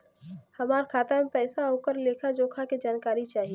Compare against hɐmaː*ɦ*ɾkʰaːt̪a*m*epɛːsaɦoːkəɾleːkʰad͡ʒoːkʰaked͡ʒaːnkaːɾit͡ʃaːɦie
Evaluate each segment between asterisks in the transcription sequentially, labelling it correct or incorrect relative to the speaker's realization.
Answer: incorrect: none, correct

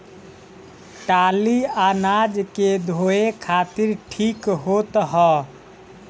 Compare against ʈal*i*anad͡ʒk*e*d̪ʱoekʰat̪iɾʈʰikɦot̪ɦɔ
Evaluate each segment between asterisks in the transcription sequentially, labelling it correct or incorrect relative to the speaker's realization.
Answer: correct, correct

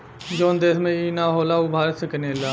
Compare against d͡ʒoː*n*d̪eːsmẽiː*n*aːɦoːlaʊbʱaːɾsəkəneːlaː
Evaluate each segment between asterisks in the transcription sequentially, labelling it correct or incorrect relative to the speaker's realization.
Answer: correct, correct

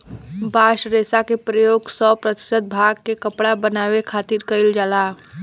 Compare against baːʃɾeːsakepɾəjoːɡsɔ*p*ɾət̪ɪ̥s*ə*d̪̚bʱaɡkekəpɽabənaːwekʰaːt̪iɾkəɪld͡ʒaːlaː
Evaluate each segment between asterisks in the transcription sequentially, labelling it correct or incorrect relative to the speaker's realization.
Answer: correct, correct

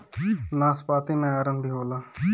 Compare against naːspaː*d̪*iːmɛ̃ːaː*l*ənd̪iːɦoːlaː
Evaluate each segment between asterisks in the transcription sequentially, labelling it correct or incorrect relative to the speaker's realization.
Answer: incorrect: t̪, incorrect: ɾ

